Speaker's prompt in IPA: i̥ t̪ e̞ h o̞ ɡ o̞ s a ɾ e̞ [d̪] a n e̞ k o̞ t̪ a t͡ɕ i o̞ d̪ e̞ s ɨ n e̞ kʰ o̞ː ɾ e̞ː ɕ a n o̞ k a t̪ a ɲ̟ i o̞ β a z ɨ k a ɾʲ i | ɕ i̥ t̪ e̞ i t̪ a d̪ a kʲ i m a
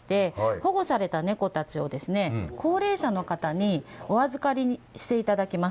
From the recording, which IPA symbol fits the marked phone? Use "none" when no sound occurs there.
t̪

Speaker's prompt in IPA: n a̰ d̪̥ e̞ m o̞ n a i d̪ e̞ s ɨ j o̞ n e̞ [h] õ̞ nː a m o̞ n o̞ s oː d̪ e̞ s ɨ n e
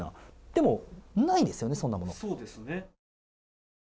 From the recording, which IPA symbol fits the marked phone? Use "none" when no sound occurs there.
s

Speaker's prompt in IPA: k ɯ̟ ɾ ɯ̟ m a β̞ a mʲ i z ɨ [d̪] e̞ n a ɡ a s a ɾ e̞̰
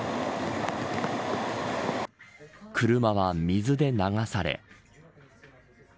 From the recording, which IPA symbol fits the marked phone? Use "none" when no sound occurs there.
d̪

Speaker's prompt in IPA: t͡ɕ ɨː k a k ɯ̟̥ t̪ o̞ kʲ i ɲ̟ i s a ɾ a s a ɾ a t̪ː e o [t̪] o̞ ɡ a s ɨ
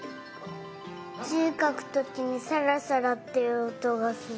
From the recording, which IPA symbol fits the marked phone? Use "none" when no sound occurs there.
t̪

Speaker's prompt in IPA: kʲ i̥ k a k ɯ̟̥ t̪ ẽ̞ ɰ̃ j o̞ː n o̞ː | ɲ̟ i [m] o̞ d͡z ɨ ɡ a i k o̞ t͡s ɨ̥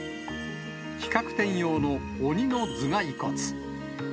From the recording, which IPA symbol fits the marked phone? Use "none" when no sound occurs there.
n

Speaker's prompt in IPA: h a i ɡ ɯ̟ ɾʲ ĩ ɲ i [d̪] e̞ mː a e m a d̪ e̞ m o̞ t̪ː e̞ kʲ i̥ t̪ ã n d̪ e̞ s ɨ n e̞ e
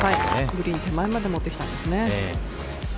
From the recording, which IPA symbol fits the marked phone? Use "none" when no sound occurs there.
t̪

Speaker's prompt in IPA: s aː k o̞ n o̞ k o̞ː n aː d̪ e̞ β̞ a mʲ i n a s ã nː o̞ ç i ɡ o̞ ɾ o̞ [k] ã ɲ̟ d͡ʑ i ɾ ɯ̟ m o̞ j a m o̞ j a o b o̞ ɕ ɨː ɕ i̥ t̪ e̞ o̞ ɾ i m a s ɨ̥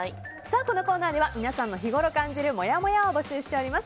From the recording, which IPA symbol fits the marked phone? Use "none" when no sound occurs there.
k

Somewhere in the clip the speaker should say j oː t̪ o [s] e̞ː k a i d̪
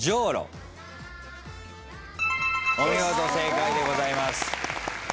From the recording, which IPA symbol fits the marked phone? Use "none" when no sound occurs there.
s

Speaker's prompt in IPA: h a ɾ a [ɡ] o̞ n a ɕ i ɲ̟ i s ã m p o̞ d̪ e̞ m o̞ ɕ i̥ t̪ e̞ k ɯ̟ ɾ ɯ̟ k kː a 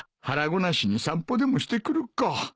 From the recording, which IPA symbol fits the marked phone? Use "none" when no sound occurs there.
ɡ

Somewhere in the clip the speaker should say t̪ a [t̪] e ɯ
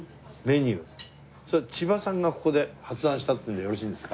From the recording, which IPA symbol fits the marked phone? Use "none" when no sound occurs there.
t̪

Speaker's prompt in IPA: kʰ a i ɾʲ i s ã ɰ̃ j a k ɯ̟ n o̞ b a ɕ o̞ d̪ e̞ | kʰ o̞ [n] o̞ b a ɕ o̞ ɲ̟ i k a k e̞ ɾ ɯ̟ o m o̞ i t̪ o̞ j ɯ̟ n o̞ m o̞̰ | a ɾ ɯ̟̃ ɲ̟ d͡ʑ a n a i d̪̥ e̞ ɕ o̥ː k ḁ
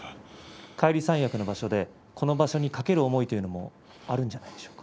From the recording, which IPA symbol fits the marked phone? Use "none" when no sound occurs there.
n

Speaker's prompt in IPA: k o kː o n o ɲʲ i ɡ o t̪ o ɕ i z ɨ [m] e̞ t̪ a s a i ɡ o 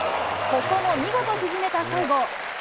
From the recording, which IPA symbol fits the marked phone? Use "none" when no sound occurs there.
m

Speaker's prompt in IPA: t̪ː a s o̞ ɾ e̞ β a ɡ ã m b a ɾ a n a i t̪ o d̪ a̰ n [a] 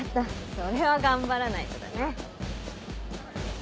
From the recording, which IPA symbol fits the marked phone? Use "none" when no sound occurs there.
e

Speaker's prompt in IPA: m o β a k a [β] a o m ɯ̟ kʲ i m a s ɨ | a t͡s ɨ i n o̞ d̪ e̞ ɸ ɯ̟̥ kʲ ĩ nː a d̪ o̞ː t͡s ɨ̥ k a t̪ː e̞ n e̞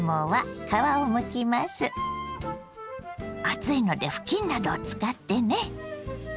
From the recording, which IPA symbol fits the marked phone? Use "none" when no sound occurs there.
β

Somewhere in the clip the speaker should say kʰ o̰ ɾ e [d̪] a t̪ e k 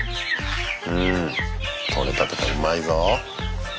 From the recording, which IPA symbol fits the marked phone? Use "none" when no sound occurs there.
t̪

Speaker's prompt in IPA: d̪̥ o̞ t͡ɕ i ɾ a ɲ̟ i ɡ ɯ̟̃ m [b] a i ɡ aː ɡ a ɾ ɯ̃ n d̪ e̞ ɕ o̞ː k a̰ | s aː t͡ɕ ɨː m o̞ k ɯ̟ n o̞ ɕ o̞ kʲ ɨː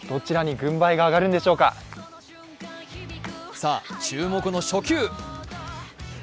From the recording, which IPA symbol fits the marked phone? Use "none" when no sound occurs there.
b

